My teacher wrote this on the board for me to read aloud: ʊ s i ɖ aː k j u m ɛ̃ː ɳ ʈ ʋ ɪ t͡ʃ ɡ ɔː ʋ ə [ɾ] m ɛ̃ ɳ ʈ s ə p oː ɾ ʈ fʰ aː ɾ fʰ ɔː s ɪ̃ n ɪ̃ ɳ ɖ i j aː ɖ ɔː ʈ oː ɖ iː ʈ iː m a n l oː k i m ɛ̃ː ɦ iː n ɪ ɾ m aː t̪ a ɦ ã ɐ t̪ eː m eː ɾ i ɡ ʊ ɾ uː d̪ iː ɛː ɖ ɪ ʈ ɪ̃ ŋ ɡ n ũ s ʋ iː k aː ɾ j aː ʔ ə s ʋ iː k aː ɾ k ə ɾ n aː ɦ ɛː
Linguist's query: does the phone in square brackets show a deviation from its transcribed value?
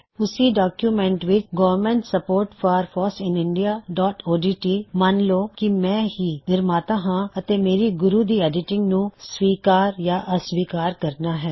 no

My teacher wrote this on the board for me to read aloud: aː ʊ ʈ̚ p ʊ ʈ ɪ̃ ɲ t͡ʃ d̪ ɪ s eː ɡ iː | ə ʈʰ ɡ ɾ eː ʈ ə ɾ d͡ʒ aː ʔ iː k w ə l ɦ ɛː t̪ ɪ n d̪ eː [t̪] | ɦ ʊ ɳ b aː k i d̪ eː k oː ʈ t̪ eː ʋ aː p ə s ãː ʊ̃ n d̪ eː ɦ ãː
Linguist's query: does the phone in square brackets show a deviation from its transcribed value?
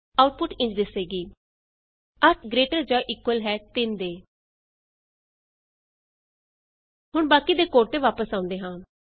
yes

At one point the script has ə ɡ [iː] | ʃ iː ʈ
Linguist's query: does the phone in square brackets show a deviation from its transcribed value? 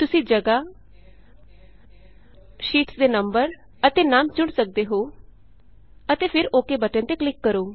yes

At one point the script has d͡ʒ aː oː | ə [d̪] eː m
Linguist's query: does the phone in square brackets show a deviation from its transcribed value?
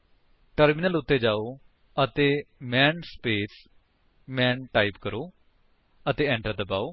yes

